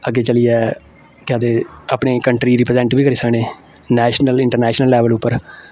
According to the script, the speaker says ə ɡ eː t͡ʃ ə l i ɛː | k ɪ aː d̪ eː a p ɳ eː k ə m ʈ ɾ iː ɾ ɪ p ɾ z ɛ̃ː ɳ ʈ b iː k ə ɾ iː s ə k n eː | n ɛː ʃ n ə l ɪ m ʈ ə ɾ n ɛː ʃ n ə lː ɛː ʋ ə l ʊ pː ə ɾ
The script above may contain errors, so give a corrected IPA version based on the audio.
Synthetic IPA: ə ɡ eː t͡ʃ ə l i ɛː | k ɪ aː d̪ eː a p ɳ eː k ə ɳ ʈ ɾ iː ɾ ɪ p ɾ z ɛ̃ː ɳ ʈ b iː k ə ɾ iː s ə k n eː | n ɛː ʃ n ə l ɪ ɳ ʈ ə ɾ n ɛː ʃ n ə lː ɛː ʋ ə l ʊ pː ə ɾ